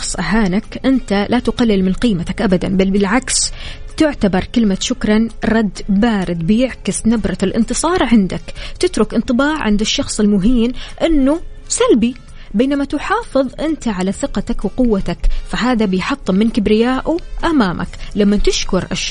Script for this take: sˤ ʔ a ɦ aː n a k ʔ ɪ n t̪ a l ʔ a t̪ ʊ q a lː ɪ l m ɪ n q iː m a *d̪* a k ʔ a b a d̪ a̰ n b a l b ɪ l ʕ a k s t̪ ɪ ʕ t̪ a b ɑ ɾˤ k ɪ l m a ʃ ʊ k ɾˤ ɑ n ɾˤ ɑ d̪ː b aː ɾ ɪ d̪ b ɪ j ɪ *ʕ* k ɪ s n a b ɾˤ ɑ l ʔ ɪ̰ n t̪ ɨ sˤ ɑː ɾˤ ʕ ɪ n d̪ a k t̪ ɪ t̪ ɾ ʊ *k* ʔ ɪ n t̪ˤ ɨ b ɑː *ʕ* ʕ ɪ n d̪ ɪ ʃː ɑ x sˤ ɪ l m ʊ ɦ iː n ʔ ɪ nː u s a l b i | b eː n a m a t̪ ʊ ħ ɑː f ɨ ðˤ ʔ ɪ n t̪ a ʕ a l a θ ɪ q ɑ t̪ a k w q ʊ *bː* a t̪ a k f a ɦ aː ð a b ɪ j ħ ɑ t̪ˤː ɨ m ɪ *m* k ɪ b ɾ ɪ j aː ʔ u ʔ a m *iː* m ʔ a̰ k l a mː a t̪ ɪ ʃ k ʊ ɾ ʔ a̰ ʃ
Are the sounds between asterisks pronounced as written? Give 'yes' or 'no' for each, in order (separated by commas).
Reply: no, yes, yes, yes, no, no, no